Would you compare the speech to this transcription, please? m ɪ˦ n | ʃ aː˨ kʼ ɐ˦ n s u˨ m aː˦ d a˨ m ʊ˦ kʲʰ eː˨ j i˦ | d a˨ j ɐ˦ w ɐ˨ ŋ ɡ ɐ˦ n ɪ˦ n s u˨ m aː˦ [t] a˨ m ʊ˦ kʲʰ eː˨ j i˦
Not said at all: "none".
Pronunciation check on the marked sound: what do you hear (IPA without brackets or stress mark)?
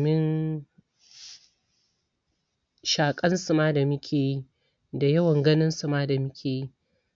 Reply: d